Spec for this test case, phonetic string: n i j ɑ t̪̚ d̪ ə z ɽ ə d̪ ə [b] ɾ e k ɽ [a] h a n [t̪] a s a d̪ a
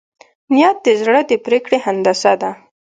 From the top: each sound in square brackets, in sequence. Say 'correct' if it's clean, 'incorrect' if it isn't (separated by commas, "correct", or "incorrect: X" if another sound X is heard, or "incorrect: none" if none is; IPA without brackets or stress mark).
incorrect: p, incorrect: e, incorrect: d̪